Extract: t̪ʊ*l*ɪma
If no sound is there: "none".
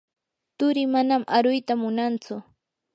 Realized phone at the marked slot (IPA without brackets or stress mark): ɾ